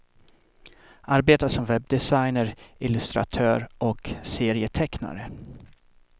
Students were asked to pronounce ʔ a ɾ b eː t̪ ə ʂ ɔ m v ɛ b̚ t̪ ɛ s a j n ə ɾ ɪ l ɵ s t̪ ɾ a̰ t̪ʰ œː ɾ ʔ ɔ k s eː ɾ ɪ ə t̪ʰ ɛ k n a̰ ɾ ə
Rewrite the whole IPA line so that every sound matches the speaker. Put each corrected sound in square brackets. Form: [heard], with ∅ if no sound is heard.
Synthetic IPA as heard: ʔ a ɾ b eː t̪ [a] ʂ ɔ m v ɛ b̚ [d̪] ɛ s a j n ə ɾ ɪ l ɵ s t̪ ɾ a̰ t̪ʰ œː ɾ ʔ ɔ k s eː ɾ ɪ ə t̪ʰ ɛ k n a̰ ɾ ə